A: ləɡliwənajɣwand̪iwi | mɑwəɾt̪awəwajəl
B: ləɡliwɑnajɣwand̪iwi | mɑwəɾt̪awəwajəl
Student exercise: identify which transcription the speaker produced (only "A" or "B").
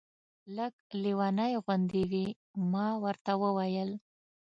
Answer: B